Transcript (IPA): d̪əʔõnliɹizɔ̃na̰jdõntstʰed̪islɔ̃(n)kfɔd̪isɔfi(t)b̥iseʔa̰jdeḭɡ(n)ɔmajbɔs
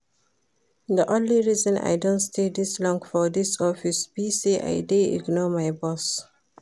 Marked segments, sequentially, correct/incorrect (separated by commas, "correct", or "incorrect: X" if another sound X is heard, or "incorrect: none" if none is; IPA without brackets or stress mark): incorrect: ŋ, incorrect: s, correct